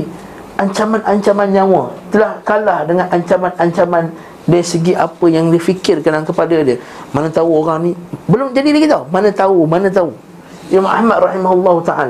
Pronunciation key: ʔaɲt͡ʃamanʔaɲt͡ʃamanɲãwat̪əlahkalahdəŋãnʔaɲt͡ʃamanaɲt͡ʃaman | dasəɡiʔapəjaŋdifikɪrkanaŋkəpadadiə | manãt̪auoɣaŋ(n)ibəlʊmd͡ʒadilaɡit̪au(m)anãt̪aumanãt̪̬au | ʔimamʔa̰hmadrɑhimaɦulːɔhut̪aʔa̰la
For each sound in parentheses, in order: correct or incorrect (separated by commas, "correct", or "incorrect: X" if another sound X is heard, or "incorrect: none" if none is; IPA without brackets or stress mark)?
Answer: correct, correct